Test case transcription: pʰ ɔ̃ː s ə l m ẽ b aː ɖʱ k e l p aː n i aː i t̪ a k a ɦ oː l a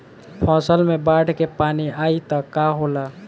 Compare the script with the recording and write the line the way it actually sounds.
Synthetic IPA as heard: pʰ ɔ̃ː s ə l m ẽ b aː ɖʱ k e p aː n i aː i t̪ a k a ɦ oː l a